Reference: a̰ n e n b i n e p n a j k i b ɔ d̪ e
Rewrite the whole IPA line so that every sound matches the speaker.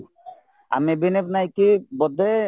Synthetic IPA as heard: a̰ m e b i n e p n a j k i b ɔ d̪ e